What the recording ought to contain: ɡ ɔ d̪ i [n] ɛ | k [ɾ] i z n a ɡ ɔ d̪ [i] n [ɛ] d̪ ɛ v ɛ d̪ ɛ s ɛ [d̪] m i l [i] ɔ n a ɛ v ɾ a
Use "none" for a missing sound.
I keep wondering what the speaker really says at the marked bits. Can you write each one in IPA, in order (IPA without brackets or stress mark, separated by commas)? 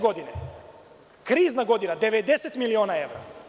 n, ɾ, i, a, t̪, i